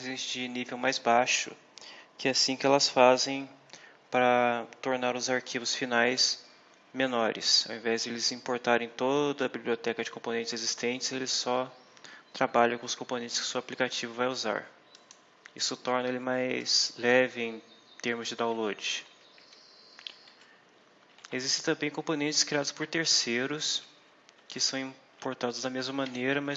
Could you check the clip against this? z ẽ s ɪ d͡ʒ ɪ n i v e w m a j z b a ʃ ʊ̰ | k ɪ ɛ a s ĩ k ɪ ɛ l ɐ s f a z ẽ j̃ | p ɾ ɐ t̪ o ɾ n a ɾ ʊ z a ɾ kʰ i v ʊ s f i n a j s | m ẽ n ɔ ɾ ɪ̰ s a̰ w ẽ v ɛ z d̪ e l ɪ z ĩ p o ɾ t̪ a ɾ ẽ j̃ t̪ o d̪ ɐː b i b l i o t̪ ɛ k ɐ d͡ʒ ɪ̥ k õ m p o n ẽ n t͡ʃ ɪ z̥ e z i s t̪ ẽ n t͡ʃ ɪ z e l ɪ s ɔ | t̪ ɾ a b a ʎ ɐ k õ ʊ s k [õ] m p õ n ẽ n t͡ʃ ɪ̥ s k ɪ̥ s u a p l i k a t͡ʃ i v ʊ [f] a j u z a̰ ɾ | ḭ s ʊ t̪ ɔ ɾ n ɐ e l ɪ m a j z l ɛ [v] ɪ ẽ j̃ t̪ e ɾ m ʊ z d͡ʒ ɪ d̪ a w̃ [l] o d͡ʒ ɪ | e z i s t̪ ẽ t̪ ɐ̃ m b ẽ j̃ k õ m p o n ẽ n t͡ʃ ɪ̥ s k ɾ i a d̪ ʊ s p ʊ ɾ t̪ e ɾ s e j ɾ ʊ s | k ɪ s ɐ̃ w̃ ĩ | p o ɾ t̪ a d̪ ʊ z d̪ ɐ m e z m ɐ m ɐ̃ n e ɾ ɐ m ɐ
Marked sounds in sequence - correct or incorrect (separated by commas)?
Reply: correct, incorrect, correct, correct